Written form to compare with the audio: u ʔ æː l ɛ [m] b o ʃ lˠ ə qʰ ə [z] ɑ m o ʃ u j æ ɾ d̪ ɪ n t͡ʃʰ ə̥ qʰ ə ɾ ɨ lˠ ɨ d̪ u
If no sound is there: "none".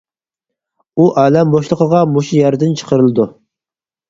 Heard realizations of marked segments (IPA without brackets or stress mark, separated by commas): m, ʁ